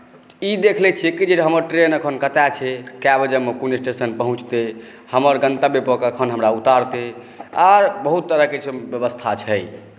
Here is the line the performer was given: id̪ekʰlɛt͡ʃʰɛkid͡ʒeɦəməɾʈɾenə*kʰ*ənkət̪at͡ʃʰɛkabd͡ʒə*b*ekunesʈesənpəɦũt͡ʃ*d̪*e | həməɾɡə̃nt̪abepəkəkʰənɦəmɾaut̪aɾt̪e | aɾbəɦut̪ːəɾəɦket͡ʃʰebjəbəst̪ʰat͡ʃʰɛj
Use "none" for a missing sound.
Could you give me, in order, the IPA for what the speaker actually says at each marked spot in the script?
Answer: kʰ, m, t̪

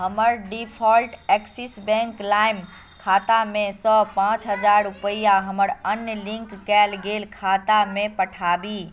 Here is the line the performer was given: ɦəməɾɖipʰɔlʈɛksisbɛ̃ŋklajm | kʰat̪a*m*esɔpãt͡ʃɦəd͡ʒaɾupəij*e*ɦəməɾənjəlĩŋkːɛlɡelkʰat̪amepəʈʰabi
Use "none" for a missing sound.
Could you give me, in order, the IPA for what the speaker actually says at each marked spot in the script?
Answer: m, a

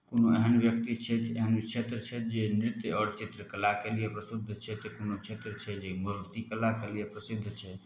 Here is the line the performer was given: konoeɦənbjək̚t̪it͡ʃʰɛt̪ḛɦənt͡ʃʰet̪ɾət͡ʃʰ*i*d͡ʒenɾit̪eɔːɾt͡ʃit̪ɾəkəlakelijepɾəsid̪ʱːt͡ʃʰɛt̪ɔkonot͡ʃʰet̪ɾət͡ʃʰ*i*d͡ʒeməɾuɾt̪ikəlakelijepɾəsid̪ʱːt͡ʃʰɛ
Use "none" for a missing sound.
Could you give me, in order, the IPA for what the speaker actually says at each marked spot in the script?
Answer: ɛ, ɛ

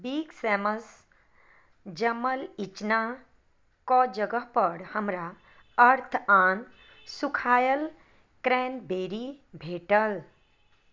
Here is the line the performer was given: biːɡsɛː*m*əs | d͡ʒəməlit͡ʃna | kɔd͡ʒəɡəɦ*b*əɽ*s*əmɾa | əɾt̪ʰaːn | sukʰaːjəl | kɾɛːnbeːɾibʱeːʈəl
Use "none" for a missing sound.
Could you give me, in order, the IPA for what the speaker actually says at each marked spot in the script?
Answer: m, p, h

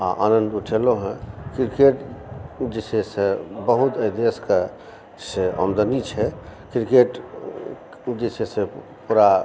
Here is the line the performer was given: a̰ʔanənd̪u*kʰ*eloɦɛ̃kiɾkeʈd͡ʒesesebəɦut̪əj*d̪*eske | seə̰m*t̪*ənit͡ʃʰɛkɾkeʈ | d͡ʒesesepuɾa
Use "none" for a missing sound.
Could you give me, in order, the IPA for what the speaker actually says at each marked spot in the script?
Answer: ʈʰ, d̪, d̪

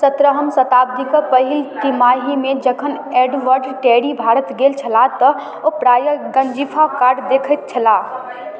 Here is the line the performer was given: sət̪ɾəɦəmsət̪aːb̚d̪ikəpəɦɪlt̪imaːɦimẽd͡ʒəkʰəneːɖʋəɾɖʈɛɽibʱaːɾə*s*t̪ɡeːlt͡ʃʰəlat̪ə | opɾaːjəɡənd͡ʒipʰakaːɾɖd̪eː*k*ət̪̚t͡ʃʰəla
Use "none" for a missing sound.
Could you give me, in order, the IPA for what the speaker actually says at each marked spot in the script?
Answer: none, kʰ

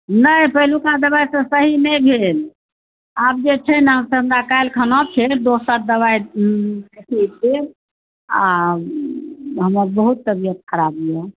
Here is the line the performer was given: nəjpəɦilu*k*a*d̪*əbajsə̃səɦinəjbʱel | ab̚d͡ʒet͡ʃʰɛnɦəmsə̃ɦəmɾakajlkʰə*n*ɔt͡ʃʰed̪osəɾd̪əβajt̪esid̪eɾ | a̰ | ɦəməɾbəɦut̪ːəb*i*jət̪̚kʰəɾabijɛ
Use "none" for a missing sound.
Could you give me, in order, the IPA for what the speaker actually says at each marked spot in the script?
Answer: k, d̪, n, i

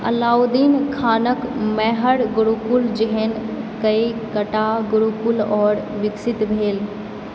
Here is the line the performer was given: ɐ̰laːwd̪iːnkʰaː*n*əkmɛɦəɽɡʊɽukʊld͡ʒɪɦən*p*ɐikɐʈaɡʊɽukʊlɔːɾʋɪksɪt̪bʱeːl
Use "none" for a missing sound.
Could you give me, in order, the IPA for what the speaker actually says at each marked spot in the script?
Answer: n, k

